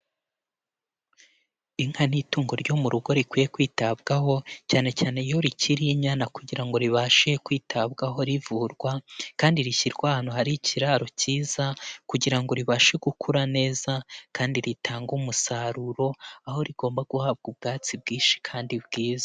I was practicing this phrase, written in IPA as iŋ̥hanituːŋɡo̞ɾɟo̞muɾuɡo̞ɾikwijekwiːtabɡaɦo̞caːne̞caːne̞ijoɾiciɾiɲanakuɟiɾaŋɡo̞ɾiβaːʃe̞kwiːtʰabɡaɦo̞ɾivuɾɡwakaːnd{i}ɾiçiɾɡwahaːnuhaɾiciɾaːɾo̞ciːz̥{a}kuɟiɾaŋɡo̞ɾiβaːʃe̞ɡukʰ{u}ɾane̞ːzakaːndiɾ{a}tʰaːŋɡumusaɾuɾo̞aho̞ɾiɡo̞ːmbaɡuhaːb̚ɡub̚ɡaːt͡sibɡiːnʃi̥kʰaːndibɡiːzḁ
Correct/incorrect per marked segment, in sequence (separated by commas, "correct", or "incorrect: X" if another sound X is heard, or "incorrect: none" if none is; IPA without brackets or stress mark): correct, correct, correct, incorrect: i